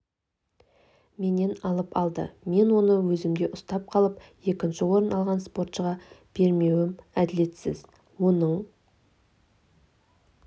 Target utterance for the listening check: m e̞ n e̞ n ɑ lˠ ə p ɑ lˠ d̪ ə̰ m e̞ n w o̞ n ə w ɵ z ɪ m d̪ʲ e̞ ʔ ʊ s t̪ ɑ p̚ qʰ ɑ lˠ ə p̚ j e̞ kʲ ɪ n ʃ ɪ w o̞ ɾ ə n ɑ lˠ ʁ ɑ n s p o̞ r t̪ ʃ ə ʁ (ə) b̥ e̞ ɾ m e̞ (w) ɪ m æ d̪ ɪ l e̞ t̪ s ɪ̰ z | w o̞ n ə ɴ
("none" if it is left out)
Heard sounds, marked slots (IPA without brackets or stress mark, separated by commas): ɑ, w